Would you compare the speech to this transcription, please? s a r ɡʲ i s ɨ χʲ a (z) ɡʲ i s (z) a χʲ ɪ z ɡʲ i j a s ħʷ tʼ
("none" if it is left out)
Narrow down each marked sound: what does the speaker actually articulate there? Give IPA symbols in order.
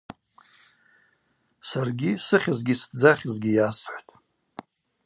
z, d͡z

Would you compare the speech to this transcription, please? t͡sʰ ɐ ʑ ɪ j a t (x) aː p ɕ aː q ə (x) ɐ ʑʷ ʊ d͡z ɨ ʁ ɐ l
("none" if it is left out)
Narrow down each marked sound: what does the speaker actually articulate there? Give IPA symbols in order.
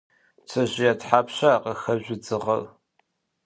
ħ, x

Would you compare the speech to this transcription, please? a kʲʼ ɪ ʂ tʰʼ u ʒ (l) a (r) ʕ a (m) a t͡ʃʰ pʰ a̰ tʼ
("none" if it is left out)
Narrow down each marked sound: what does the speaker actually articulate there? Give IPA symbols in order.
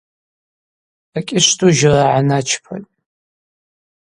r, none, n

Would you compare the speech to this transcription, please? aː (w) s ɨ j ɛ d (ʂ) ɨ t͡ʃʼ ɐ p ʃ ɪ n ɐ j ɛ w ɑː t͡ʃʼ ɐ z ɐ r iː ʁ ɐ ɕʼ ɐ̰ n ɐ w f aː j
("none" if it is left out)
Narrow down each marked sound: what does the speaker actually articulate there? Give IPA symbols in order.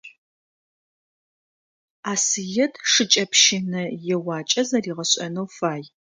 none, ʂ

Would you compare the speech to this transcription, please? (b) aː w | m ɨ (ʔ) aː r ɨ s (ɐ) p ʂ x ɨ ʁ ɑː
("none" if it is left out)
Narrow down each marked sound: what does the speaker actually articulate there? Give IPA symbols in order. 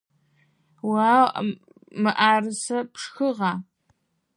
w, ʔ, ɐ

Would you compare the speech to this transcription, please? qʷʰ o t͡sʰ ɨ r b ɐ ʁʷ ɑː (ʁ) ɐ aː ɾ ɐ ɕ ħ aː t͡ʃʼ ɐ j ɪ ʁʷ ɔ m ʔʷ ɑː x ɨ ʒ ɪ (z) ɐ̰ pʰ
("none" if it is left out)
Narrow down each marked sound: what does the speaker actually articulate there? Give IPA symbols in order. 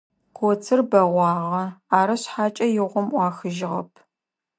ʁ, ʁ

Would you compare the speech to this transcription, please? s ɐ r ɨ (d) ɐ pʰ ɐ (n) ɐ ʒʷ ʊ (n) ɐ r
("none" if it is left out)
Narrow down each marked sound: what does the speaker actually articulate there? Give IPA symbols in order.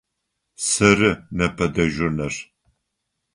n, d, n

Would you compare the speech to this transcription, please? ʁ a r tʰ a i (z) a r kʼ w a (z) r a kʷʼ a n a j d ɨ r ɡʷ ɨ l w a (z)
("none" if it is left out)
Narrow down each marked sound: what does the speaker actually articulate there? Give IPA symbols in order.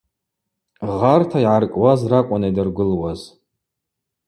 ʕ, z, z

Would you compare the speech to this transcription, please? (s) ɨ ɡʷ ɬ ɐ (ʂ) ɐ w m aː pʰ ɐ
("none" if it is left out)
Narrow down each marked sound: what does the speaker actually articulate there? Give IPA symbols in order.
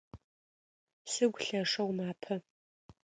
s, ʂ

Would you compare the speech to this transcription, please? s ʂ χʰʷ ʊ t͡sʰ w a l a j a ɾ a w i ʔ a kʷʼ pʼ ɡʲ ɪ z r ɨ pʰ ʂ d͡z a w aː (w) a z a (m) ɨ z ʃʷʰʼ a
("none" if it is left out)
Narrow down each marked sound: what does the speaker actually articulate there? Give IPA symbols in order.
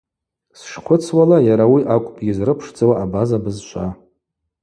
b, b

